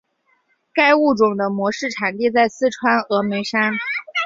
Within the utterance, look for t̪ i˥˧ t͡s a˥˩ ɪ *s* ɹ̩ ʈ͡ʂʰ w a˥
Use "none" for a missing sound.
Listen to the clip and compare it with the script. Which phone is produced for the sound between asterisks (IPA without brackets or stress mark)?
s